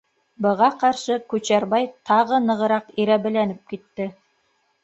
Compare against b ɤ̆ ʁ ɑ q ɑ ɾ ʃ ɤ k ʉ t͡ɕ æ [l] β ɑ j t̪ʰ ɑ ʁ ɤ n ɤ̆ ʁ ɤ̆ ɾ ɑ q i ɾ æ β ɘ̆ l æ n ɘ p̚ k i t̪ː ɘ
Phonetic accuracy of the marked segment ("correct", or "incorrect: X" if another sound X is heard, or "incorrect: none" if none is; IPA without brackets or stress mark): incorrect: ɾ